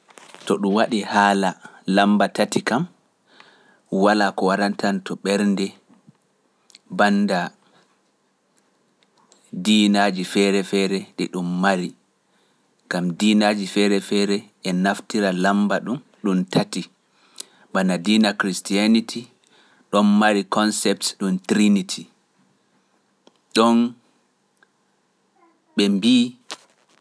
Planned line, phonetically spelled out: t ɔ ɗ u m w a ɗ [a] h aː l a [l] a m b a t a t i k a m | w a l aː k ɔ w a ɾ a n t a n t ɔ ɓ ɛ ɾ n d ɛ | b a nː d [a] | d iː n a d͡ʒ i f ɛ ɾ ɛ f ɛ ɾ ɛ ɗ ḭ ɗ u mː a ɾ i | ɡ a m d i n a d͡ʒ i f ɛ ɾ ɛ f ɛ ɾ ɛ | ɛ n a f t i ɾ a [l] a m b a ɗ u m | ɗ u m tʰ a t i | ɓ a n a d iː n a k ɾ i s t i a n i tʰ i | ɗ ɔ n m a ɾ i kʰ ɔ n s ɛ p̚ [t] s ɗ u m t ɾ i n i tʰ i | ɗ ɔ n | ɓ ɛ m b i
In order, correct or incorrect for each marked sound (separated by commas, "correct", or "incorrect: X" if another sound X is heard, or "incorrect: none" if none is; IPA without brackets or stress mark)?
incorrect: i, correct, correct, correct, correct